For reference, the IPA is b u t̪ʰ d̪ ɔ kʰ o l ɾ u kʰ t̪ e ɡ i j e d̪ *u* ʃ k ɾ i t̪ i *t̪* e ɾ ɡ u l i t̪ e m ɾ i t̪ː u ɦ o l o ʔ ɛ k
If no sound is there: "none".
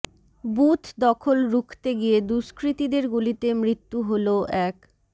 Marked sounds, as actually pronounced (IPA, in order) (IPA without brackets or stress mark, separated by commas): u, d̪